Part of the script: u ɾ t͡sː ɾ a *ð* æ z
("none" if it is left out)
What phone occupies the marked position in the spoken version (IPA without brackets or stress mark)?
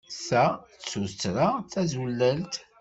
θ